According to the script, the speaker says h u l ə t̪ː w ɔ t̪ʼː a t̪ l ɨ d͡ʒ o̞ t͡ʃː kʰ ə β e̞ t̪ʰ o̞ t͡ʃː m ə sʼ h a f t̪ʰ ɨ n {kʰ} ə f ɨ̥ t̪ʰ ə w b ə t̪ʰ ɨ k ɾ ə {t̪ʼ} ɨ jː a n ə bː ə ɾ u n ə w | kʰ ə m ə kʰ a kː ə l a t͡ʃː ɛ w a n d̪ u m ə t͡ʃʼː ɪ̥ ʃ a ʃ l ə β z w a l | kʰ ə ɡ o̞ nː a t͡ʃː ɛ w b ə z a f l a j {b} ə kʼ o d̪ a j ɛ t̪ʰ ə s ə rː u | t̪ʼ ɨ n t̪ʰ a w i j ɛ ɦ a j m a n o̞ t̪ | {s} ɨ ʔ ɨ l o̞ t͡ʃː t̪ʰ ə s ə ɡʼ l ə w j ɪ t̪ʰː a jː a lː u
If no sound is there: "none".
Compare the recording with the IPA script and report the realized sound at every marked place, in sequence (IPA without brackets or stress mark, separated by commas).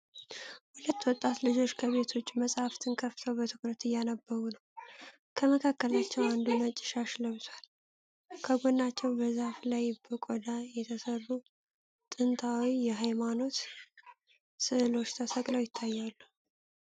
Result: kʰ, t̪, b, s